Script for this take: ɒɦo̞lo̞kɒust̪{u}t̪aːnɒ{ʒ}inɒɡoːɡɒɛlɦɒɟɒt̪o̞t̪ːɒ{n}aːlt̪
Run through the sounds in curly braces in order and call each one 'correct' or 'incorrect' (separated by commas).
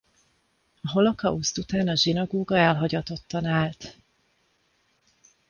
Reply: correct, correct, correct